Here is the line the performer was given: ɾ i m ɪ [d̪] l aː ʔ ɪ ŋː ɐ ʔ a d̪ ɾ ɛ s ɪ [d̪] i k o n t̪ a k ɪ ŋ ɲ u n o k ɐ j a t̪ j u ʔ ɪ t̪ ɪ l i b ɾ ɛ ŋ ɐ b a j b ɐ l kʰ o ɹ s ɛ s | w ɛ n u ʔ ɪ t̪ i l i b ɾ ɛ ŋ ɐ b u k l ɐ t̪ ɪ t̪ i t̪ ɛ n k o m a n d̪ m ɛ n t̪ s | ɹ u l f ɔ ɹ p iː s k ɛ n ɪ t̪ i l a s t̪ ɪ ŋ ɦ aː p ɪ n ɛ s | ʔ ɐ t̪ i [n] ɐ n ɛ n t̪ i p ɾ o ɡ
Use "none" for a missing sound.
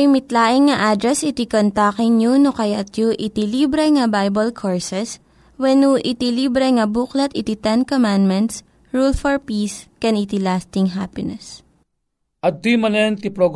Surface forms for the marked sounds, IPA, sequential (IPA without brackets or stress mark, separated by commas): t̪, t̪, m